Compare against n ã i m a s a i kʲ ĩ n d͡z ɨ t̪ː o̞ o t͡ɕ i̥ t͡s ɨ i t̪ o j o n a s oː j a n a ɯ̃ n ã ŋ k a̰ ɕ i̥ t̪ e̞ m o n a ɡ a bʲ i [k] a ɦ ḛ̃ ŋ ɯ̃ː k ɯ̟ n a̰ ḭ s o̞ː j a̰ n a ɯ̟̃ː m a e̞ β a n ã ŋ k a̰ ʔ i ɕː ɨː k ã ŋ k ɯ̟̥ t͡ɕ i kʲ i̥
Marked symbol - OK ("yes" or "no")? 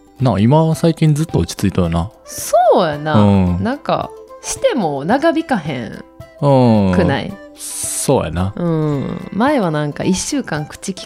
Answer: yes